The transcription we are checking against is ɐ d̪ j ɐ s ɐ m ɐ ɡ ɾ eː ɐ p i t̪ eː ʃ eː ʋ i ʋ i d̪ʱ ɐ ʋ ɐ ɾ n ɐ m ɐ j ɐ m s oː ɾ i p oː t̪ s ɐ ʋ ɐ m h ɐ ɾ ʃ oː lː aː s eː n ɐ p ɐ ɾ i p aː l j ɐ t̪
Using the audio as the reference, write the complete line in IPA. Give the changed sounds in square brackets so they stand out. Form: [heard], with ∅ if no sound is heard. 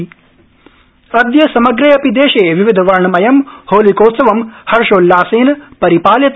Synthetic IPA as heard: ɐ d̪ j ɐ s ɐ m ɐ ɡ ɾ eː ɐ p i [d̪] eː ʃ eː ʋ i ʋ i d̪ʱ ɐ ʋ ɐ ɾ [ɳ] ɐ m ɐ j ɐ m [h] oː [l] i [k] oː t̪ s ɐ ʋ ɐ m h ɐ ɾ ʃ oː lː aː s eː n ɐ p ɐ ɾ i p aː l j ɐ t̪